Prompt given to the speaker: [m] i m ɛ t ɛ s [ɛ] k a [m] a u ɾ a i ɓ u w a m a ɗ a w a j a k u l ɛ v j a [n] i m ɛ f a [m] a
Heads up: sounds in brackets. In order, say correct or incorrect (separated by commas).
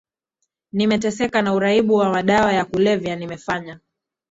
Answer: incorrect, correct, incorrect, correct, incorrect